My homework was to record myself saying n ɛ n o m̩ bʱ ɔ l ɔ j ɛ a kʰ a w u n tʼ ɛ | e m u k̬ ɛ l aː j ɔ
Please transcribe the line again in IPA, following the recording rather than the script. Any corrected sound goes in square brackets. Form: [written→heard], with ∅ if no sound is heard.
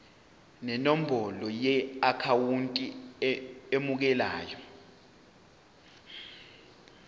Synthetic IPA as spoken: n ɛ n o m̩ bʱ ɔ l ɔ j ɛ a kʰ a w u n tʼ [ɛ→i] | e m u k̬ ɛ l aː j ɔ